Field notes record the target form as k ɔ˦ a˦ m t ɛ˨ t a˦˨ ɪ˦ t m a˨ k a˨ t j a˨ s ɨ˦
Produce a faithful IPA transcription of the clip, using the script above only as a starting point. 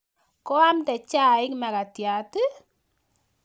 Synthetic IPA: k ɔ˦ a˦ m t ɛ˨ t͡ʃ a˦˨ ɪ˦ k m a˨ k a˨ t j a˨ t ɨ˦

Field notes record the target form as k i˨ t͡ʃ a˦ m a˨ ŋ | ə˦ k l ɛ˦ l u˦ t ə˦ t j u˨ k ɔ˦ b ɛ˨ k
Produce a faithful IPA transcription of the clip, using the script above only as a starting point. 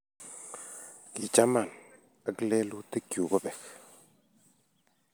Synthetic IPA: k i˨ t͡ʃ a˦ m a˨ n | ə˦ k l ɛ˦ l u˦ t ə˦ k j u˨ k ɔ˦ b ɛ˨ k

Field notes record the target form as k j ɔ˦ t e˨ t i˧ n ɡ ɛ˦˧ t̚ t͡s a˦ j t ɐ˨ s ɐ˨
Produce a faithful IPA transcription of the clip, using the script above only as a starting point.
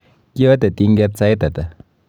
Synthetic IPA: k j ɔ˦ t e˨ t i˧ ŋ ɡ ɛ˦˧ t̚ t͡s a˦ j t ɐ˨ t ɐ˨

